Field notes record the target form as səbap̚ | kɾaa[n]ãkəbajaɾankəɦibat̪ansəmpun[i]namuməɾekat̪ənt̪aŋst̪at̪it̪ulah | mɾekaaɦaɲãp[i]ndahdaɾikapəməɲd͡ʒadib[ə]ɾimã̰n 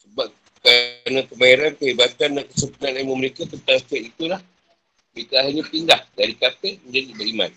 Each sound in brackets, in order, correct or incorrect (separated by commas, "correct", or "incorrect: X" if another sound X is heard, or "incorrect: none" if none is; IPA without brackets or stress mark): correct, incorrect: a, correct, correct